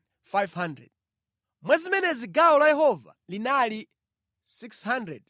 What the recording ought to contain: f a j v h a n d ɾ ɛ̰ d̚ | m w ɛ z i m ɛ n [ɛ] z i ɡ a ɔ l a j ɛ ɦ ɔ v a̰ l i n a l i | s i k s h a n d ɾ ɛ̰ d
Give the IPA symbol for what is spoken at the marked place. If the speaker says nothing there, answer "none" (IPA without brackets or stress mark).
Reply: ɛ